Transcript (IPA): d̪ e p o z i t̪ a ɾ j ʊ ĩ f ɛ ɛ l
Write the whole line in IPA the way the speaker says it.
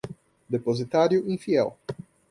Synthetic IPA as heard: d̪ e p o z i t̪ a ɾ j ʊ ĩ f i ɛ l